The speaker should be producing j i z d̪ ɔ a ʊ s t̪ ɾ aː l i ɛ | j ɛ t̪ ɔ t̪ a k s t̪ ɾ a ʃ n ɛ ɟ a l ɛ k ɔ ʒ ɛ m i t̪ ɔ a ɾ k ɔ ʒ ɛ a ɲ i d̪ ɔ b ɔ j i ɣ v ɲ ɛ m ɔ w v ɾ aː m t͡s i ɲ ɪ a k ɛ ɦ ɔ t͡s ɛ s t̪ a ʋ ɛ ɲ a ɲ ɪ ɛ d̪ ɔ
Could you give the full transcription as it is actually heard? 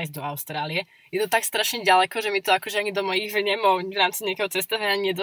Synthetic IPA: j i z d̪ ɔ a ʊ s t̪ ɾ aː l i ɛ | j ɛ t̪ ɔ t̪ a k s t̪ ɾ a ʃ ɲ ɛ ɟ a l ɛ k ɔ ʒ ɛ m i t̪ ɔ a k ɔ ʒ ɛ a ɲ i d̪ ɔ m ɔ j i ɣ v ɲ ɛ m ɔ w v ɾ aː m t͡s i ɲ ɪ a k ɛ ɦ ɔ t͡s ɛ s t̪ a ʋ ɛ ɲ a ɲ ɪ ɛ d̪ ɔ